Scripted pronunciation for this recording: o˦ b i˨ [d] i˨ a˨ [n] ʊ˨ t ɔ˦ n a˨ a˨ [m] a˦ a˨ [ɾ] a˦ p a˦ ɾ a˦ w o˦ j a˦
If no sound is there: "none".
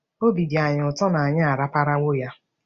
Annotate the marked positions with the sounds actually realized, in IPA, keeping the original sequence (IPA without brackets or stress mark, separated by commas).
d, ɲ, ɲ, ɾ